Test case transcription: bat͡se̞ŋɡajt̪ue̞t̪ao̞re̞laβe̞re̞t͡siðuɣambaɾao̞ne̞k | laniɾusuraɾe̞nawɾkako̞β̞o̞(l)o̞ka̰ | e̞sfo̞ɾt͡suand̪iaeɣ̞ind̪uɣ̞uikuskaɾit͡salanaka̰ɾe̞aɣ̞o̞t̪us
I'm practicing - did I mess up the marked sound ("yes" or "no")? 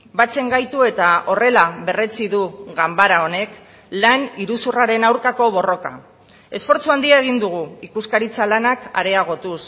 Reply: yes